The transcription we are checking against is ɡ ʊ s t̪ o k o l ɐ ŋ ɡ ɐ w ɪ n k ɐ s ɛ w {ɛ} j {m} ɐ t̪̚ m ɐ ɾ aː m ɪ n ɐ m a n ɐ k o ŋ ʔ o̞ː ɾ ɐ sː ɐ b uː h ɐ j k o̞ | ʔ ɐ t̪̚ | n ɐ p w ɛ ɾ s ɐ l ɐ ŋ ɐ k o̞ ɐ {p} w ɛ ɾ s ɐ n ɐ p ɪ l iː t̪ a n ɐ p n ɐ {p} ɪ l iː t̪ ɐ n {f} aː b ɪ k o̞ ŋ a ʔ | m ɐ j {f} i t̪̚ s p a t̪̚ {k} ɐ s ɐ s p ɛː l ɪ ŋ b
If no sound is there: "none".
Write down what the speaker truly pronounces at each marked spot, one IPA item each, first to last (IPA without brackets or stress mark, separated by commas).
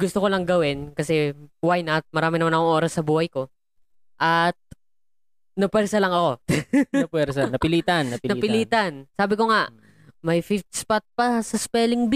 a, n, p, p, s, f, p